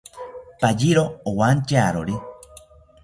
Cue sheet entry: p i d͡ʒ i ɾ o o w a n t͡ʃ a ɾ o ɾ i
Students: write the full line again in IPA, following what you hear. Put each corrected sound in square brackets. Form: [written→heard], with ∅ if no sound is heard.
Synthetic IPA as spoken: p [i→a] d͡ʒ i ɾ o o w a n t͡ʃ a ɾ o ɾ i